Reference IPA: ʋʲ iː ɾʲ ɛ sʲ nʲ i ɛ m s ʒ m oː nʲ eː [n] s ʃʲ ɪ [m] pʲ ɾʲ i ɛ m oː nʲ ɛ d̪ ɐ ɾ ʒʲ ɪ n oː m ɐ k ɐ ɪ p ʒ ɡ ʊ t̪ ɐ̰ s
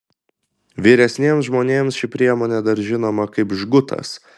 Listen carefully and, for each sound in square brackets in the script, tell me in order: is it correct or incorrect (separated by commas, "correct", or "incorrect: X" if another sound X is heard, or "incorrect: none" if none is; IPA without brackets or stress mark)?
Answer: incorrect: m, incorrect: none